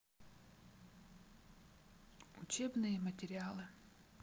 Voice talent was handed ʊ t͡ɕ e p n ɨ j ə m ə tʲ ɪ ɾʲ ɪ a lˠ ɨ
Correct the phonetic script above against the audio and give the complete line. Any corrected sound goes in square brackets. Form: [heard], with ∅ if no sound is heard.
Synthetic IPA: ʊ t͡ɕ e [b] n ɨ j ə m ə tʲ ɪ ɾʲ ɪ a lˠ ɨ